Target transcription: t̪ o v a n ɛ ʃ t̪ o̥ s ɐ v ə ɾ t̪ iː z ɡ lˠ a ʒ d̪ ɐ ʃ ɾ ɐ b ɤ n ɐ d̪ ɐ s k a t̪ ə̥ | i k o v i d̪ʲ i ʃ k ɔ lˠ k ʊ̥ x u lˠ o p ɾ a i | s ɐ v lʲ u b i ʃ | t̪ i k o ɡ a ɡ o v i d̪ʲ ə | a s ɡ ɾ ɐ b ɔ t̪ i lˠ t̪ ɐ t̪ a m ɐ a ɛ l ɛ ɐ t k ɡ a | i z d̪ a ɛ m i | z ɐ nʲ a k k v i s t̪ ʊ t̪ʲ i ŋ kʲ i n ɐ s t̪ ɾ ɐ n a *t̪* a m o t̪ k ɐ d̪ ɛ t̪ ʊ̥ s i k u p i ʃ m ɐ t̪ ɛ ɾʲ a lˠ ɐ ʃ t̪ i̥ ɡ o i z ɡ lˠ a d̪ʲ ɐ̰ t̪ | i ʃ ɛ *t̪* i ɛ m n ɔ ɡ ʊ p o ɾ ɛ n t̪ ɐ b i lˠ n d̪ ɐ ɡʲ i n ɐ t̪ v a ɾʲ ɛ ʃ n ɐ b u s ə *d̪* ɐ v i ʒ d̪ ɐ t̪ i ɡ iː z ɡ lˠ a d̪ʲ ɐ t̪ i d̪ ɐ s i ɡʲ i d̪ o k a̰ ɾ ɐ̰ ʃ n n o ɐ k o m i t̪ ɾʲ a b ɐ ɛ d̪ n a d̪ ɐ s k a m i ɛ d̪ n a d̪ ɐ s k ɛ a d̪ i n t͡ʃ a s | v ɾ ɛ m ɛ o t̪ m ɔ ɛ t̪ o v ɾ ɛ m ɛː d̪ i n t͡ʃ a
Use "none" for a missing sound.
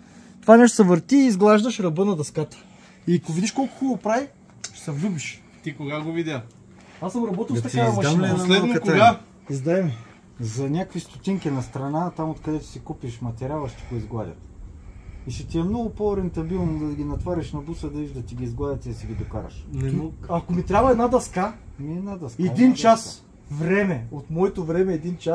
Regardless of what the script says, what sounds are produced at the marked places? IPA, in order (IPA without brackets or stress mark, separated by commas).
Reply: t̪, t̪, d̪